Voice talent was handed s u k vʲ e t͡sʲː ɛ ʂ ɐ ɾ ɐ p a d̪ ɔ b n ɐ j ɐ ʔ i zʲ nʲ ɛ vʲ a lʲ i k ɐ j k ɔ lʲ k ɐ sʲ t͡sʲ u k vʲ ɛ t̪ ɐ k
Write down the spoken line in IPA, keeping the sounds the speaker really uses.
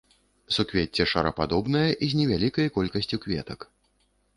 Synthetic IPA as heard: s u k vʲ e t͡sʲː ɛ ʂ ɐ ɾ ɐ p a d̪ ɔ b n ɐ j ɐ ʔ i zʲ nʲ ɛ vʲ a lʲ i k ɐ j k ɔ lʲ k ɐ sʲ t͡sʲ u k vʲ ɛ t̪ ɐ k